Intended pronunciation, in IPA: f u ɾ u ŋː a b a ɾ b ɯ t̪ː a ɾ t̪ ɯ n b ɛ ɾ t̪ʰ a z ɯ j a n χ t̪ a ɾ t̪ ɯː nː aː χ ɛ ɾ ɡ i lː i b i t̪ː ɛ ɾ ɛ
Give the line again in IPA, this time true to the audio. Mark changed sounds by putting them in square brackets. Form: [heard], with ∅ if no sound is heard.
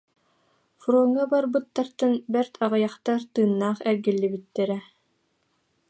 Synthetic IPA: f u ɾ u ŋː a b a ɾ b ɯ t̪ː a ɾ t̪ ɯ n b ɛ ɾ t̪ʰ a [ʁ] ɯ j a [∅] χ t̪ a ɾ t̪ ɯː nː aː χ ɛ ɾ ɡ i lː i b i t̪ː ɛ ɾ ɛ